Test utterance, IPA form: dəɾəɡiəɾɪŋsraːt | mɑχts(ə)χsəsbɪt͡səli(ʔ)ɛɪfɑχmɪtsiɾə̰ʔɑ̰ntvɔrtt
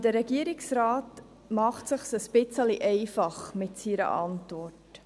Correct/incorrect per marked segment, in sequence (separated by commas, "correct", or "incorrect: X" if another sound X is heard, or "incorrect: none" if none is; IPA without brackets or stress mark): correct, correct